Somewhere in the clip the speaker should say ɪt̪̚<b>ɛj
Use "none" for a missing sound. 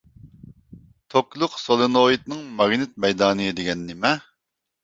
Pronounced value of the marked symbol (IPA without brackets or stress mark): m